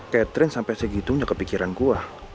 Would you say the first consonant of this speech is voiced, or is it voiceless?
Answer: voiceless